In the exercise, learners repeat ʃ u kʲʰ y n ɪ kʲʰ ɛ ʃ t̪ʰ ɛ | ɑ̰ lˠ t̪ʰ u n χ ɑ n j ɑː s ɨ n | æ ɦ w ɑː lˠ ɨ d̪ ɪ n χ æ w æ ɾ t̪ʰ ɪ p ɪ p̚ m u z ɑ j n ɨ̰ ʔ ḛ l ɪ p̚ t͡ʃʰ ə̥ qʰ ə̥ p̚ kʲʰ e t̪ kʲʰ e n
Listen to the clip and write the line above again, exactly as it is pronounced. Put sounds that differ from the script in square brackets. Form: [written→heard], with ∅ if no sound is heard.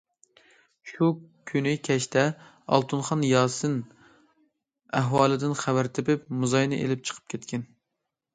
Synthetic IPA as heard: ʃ u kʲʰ y n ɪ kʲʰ ɛ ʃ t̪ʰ ɛ | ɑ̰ lˠ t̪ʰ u n χ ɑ n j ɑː s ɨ n | æ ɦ w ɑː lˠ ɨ d̪ ɪ n χ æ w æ ɾ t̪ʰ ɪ p ɪ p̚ m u z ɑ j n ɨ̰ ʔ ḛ l ɪ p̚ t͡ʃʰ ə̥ qʰ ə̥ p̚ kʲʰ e t̪ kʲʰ [e→ɛ] n